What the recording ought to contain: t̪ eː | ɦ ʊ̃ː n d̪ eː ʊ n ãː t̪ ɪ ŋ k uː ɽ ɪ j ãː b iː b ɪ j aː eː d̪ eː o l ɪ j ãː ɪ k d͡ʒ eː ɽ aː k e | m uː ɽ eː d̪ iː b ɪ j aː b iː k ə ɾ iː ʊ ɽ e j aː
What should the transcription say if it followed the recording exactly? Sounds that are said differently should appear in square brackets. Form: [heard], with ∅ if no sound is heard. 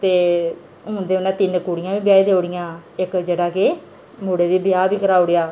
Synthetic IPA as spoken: t̪ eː | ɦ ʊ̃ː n d̪ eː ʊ n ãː t̪ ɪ [n] k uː ɽ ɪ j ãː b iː b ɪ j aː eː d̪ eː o [ɽ] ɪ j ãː ɪ k d͡ʒ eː ɽ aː k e | m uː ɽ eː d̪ iː b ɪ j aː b iː k ə ɾ [aː] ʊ ɽ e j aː